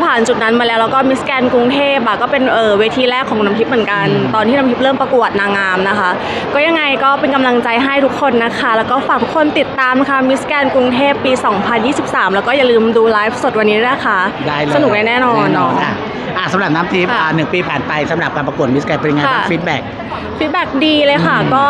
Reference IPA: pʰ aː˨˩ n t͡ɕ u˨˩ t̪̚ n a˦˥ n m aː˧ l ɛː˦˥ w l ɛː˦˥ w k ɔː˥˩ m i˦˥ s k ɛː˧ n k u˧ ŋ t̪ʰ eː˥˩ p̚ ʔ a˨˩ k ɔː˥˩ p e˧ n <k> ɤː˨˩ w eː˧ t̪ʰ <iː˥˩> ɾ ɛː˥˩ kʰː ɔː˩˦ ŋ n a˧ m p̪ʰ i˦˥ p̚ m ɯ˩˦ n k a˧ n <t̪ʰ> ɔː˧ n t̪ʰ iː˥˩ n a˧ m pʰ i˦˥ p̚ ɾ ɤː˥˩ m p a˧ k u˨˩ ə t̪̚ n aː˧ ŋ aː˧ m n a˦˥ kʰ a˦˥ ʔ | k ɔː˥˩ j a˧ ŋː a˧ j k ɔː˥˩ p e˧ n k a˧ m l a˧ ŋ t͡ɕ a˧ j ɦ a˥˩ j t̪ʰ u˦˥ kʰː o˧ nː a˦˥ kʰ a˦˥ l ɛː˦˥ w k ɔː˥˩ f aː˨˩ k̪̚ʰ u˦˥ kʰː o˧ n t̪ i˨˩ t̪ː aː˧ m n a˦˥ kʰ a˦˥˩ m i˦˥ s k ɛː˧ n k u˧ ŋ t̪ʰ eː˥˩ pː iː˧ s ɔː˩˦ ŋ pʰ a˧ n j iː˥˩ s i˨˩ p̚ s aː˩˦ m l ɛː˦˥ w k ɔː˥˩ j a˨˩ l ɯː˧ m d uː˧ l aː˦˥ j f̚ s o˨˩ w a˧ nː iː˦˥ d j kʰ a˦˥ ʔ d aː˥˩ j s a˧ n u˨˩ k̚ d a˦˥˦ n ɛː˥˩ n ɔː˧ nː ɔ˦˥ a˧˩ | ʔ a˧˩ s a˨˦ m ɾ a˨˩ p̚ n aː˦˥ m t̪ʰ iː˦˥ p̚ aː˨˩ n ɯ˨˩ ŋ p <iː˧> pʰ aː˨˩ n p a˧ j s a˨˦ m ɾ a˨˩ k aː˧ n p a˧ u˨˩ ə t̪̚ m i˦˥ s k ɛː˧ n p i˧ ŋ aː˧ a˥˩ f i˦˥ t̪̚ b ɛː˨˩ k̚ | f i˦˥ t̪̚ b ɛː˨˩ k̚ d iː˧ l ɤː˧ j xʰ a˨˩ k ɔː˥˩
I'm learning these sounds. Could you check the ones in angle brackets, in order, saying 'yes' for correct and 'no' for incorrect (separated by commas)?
no, no, no, yes